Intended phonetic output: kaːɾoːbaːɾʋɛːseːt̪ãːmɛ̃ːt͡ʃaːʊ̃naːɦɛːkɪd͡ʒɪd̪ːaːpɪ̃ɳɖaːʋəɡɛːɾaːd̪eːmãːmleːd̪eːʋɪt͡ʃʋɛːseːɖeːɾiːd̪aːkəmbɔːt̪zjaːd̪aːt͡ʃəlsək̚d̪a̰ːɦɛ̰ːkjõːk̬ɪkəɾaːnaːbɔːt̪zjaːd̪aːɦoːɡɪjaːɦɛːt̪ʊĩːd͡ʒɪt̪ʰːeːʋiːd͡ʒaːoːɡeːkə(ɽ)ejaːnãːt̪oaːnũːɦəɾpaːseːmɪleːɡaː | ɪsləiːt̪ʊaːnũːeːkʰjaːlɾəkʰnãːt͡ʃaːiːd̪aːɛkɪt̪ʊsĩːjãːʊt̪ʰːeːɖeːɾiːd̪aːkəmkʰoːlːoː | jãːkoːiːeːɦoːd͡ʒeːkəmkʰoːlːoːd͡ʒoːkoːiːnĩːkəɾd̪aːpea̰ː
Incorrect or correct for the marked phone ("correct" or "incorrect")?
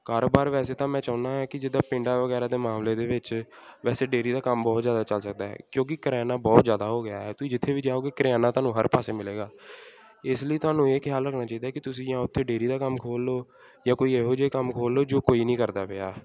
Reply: incorrect